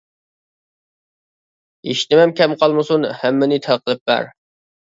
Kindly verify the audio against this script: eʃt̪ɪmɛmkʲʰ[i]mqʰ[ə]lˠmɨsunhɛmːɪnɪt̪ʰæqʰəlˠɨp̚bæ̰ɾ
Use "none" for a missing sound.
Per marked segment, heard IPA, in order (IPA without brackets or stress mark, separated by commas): ɛ, ɑ